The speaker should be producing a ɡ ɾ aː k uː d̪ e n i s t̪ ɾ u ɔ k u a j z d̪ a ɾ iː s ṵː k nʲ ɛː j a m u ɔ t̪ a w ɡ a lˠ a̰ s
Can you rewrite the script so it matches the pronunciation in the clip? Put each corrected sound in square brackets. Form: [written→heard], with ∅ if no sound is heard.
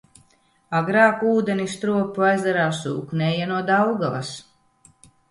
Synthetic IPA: a ɡ ɾ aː k uː d̪ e n i s t̪ ɾ u ɔ [k→p] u a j z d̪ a ɾ [iː→aː] s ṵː k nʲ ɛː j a [m→n] u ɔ [t̪→d̪] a w ɡ a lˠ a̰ s